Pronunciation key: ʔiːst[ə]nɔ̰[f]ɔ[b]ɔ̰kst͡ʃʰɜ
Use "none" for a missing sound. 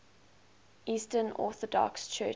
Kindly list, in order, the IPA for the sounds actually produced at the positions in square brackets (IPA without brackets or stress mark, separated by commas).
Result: ə, θ, d